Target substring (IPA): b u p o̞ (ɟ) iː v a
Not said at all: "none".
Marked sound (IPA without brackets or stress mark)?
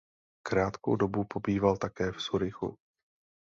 b